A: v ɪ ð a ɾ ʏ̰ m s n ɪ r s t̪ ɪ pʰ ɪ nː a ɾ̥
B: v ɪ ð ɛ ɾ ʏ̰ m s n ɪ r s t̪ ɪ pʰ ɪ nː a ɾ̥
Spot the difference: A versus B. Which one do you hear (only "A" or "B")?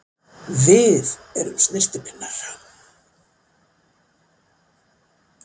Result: B